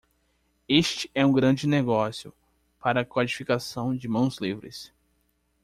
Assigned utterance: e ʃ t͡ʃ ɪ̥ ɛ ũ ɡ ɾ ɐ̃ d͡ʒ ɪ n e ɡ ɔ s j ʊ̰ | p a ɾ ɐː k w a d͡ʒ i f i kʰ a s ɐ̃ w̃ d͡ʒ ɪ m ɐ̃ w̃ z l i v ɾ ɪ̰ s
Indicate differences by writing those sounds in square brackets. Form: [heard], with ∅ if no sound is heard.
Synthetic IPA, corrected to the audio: e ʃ t͡ʃ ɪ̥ ɛ ũ ɡ ɾ ɐ̃ d͡ʒ ɪ n e ɡ ɔ s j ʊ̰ | p a ɾ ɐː k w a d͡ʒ i f i [k] a s ɐ̃ w̃ d͡ʒ ɪ m ɐ̃ w̃ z l i v ɾ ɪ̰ s